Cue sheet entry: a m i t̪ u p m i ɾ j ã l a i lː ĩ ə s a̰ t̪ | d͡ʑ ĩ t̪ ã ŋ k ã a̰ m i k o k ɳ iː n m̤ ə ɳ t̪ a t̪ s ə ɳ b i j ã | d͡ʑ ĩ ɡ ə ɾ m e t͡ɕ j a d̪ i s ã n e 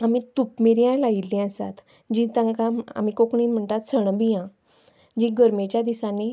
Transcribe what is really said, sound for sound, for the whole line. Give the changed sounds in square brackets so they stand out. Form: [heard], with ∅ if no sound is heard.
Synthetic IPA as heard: a m i t̪ u p m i ɾ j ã l a i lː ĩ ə s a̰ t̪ | d͡ʑ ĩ t̪ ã ŋ k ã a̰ m i k o k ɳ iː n m̤ ə ɳ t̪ a t̪ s ə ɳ b i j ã | d͡ʑ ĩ ɡ ə ɾ m e t͡ɕ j a d̪ i s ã n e